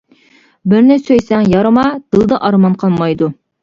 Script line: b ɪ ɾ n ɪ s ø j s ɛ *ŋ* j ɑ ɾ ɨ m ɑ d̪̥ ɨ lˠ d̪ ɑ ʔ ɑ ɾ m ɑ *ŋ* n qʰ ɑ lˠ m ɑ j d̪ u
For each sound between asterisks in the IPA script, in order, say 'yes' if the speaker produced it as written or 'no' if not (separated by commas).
yes, no